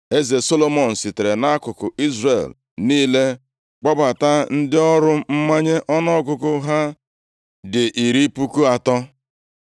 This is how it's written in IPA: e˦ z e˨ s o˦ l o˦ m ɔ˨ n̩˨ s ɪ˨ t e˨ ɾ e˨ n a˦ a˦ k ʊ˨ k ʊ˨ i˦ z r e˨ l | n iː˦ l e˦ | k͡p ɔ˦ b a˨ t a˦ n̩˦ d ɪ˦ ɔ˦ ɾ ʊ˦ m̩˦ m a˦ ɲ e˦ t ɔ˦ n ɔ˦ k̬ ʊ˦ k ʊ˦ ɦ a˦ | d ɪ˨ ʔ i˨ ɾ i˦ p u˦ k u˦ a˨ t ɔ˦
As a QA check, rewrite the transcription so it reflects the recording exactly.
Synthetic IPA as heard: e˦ z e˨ s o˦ l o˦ m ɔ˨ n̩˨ s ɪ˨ t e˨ ɾ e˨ n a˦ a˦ k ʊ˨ k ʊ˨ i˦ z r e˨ l | n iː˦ l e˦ | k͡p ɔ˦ b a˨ t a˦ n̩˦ d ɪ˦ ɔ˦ ɾ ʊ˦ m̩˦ m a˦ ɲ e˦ ʔ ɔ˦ n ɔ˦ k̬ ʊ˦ k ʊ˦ ɦ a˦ | d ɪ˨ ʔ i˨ ɾ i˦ p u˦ k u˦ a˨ t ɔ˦